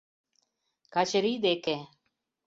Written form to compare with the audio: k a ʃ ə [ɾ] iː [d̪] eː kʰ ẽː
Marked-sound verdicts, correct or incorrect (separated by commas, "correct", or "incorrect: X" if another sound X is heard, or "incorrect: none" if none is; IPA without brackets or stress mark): correct, correct